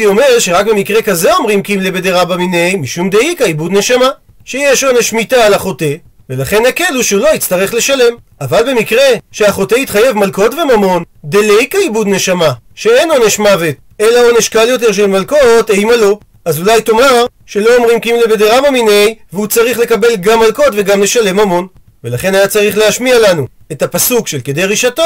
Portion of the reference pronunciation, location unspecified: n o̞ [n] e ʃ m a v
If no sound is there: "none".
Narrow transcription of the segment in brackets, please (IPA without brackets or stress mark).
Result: n